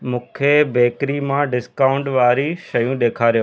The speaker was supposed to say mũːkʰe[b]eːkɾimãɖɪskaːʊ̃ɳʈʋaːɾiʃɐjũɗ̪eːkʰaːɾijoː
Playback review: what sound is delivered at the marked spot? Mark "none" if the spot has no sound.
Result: b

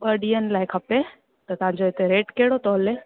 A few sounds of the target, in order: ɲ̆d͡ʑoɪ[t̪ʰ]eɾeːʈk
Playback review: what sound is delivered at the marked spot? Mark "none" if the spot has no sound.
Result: t̪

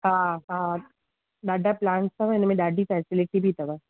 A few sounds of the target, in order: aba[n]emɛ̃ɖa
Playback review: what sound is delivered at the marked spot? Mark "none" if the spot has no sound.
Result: n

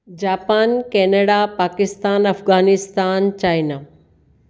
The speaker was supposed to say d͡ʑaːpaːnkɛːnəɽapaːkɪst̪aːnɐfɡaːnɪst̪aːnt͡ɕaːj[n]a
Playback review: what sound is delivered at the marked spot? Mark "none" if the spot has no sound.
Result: n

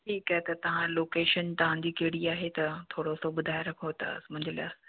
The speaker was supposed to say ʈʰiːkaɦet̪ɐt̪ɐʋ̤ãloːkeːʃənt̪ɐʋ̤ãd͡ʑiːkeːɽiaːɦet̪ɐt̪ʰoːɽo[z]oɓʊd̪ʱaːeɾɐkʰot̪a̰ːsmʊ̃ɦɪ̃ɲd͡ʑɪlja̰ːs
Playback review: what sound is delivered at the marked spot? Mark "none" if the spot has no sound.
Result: s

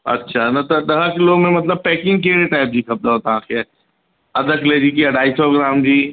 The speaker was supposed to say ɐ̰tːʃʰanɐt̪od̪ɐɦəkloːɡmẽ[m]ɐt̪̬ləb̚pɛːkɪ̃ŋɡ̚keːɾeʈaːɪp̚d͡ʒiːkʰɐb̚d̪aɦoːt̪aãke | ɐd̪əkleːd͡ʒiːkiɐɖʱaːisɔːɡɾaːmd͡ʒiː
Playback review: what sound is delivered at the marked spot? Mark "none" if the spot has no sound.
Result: m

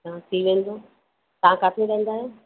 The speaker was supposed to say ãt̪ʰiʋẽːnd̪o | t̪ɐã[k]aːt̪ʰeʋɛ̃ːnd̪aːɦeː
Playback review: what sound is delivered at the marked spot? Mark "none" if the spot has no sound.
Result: k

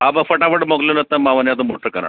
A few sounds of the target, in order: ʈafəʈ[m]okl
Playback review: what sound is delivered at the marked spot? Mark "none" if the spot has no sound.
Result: m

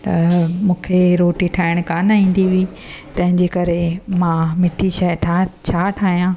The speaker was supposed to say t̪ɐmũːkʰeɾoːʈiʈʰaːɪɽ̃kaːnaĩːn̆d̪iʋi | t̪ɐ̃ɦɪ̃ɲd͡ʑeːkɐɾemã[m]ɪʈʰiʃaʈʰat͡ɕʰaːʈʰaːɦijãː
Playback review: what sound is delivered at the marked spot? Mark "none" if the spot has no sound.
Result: m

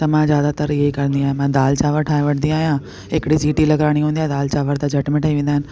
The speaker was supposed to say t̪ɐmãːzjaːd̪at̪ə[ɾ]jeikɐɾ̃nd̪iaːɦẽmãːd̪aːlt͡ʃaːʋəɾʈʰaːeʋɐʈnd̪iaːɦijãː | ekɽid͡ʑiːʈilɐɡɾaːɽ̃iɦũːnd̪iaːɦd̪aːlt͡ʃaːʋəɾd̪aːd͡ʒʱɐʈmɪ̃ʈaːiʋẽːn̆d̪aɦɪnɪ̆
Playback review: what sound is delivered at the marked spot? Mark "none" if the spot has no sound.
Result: ɾ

